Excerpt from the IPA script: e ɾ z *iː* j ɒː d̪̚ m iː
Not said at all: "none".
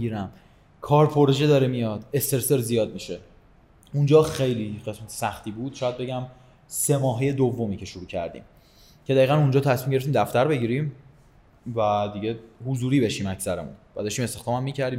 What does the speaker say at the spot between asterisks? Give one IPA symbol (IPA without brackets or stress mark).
i